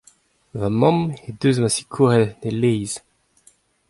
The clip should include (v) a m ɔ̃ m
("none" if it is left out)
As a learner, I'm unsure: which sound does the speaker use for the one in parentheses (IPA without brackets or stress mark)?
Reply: v